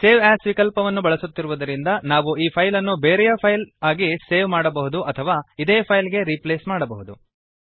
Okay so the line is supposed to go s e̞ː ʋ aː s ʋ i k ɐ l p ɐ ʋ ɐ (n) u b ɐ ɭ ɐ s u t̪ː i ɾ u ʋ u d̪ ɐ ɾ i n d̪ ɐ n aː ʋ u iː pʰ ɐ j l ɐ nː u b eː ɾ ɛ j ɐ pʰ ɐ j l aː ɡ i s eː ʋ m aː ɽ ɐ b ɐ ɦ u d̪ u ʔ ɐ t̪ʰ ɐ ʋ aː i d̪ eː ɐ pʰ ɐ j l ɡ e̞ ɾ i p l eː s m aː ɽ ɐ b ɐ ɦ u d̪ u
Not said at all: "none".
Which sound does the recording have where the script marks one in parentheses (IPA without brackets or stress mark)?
nː